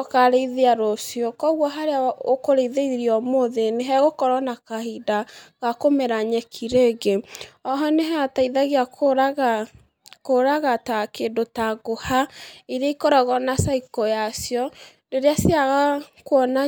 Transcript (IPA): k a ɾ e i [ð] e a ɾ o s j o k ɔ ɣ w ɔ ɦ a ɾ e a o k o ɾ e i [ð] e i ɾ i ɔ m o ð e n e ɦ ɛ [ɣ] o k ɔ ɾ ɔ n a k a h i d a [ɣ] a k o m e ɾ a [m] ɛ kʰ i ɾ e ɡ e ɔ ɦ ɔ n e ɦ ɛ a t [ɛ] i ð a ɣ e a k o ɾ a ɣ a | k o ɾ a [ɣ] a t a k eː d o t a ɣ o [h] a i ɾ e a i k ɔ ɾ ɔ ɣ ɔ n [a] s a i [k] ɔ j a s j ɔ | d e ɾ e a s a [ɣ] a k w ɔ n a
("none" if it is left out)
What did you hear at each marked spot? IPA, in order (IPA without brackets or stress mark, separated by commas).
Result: ð, ð, ɣ, ɣ, ɲ, a, ɣ, h, a, k, ɣ